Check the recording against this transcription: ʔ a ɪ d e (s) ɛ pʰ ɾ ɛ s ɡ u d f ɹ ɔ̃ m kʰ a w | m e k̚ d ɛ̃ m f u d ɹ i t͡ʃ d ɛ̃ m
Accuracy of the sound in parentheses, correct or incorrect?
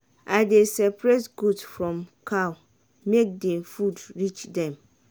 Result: correct